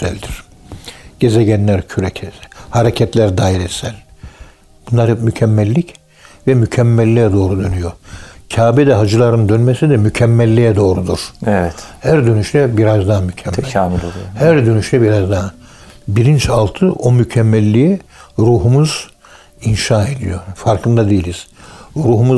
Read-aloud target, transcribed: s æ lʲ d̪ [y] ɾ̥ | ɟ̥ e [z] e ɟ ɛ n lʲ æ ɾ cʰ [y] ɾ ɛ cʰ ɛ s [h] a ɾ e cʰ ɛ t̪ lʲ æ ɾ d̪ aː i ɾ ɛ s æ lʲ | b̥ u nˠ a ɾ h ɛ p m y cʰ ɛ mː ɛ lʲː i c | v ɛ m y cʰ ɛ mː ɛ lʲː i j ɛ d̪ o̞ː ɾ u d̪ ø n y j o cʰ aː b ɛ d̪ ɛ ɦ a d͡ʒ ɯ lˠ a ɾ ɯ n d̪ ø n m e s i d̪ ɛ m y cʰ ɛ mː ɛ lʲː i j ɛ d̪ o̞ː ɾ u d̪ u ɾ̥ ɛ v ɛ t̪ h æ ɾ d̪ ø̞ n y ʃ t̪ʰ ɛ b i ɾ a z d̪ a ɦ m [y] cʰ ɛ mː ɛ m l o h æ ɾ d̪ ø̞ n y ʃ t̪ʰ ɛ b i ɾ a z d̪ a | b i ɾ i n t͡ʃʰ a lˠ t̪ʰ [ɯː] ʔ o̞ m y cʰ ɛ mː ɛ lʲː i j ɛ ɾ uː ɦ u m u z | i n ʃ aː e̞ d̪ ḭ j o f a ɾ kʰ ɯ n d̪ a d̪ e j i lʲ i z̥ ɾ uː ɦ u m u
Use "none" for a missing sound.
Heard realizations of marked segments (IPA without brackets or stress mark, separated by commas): i, z, y, h, y, ɯ